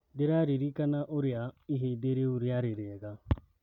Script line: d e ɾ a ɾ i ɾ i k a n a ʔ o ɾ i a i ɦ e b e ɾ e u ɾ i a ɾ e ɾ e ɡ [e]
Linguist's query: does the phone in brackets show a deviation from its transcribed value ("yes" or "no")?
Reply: yes